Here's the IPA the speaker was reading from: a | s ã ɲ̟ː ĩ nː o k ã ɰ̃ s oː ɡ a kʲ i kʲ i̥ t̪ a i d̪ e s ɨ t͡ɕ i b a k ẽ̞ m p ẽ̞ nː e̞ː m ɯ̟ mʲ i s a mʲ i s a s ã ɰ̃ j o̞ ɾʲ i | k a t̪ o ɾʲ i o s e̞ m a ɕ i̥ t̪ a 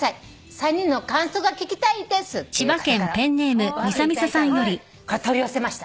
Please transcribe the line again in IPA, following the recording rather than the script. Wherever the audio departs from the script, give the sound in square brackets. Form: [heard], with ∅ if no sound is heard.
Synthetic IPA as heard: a | s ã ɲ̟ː ĩ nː o k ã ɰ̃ s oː ɡ a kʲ i kʲ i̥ t̪ a i d̪ e s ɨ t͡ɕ i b a k ẽ̞ m p ẽ̞ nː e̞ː m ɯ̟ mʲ i s a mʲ i s a s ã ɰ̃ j o̞ ɾʲ i | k a t̪ o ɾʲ i o s e̞ m a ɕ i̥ t̪ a

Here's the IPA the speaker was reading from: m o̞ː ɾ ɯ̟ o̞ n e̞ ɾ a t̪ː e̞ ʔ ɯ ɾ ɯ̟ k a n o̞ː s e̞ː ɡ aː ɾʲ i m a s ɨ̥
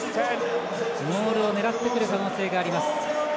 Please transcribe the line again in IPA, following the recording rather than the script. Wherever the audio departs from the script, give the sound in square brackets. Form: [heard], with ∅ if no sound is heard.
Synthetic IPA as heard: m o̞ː ɾ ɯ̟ o̞ n e̞ ɾ a t̪ː e̞ [k] ɯ ɾ ɯ̟ k a n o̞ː s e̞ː ɡ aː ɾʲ i m a s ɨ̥

